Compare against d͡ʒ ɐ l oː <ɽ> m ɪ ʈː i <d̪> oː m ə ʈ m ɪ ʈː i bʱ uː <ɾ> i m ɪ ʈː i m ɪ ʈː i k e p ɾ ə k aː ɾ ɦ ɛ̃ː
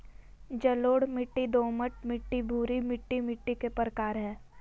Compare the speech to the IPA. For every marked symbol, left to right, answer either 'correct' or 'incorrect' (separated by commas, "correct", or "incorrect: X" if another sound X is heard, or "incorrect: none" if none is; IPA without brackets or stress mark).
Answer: correct, correct, correct